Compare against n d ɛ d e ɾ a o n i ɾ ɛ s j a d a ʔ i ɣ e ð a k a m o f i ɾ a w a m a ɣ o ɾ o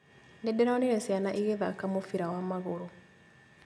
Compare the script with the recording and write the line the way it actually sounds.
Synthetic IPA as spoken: n d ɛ d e ɾ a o n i ɾ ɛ s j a n a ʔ i ɣ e ð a k a m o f i ɾ a w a m a ɣ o ɾ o